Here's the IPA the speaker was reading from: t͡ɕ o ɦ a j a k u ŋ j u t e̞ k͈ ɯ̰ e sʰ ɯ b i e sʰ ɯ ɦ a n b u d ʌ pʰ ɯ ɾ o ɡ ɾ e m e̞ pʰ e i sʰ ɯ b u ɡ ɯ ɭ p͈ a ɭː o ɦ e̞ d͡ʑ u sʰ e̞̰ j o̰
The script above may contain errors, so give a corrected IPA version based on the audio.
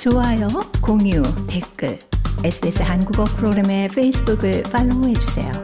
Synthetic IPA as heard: t͡ɕ o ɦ a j ʌ k o ŋ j u t e̞ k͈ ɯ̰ e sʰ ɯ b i e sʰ ɯ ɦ a n ɡ u ɡ ʌ pʰ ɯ ɾ o ɡ ɾ e m e̞ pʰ e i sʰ ɯ b u ɡ ɯ ɭ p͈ a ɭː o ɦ e̞ d͡ʑ u sʰ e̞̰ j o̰